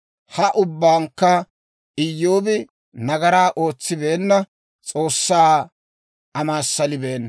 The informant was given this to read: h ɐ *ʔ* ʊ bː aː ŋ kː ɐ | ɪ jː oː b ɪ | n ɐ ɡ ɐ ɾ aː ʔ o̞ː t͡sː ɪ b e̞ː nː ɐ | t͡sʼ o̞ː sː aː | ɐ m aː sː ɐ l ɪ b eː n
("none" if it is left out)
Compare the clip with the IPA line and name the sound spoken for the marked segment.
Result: ʔ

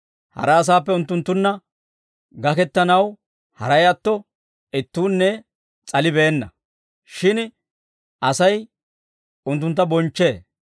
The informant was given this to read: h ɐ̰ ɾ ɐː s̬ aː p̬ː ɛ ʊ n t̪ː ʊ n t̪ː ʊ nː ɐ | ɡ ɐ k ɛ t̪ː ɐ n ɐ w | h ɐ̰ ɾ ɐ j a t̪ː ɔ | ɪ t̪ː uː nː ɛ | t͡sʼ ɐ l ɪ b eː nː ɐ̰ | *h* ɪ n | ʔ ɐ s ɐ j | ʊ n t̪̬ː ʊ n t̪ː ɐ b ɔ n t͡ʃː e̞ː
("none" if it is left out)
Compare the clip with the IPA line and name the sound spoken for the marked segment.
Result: ʃ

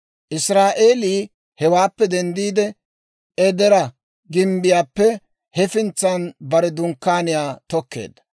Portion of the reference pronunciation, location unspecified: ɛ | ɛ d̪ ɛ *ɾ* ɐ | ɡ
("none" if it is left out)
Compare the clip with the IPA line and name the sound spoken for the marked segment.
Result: ɾ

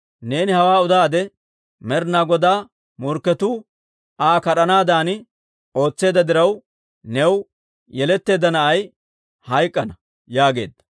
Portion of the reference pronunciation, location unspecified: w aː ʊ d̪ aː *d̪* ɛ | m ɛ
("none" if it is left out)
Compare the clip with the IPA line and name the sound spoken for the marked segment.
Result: d̪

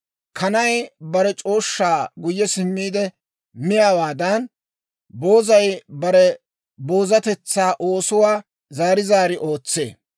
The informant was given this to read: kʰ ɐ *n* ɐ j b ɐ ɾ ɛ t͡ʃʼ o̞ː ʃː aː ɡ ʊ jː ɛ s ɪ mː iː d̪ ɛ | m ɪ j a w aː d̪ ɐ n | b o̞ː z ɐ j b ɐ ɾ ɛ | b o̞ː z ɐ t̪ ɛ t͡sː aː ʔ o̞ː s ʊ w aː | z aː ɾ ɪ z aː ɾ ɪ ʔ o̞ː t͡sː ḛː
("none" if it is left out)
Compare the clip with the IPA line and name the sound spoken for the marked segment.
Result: n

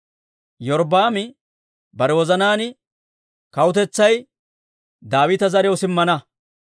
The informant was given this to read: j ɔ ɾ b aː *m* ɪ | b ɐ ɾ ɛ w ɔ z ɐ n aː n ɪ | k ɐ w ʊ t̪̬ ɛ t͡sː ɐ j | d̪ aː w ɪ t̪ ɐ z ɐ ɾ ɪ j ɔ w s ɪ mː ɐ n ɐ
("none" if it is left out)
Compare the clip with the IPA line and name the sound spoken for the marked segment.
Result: m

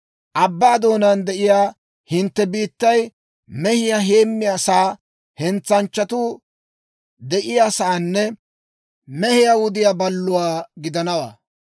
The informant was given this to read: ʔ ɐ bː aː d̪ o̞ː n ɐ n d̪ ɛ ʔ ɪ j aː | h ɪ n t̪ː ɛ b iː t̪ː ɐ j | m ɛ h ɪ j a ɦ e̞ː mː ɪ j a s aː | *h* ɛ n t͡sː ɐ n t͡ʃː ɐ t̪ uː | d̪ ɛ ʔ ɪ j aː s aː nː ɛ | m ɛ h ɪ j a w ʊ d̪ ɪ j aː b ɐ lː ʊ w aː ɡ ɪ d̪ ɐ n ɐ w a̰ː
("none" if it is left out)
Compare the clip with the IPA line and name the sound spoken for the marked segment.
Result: h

